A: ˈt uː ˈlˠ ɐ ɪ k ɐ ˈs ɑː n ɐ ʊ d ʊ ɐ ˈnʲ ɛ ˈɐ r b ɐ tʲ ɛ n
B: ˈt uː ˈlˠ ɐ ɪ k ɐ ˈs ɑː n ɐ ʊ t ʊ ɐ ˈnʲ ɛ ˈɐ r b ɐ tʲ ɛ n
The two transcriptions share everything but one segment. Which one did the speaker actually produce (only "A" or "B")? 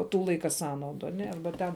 A